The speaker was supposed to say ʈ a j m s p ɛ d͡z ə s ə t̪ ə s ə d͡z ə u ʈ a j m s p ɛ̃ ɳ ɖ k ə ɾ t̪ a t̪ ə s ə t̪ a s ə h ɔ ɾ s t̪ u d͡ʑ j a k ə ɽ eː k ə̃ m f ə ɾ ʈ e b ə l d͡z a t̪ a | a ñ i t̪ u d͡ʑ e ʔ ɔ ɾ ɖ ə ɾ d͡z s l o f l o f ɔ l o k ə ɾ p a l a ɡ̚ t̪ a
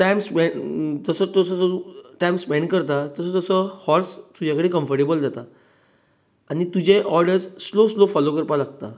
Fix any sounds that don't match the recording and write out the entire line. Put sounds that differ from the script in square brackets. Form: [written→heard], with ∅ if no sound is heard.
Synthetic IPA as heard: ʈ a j m s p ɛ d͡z ə s ə t̪ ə s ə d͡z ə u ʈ a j m s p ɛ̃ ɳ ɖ k ə ɾ t̪ a t̪ ə s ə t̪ [a→ə] s ə h ɔ ɾ s t̪ u d͡ʑ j a k ə ɽ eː k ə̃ m f ə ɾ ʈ e b ə l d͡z a t̪ a | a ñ i t̪ u d͡ʑ e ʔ ɔ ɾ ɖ ə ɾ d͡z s l o [f→s] l o f ɔ l o k ə ɾ p a l a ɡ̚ t̪ a